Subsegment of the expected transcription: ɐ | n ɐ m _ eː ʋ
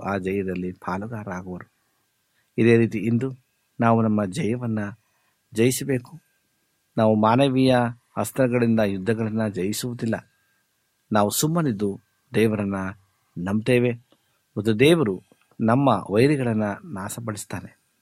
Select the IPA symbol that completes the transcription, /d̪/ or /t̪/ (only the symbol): t̪